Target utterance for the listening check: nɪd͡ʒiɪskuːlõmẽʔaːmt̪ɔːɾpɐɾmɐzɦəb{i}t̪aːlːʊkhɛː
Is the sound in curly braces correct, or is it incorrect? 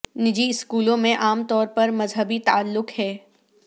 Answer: correct